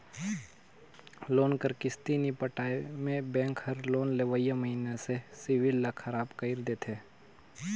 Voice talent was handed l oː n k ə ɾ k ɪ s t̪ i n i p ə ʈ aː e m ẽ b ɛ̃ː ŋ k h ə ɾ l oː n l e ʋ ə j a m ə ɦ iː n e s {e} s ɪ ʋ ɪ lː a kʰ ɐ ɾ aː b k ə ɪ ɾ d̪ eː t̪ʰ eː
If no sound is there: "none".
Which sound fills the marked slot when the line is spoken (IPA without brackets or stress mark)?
e